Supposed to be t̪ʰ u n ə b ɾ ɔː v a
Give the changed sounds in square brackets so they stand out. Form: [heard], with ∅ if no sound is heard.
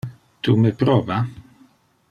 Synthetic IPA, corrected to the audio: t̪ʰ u [m] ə [p] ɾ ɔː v a